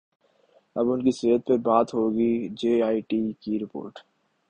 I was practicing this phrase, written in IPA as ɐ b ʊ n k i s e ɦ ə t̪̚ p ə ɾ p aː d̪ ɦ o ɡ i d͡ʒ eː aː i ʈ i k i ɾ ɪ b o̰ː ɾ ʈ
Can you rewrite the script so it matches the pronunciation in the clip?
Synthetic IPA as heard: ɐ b ʊ n k i s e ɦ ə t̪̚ p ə ɾ b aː t̪ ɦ o ɡ i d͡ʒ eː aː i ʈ i k i ɾ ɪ p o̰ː ɾ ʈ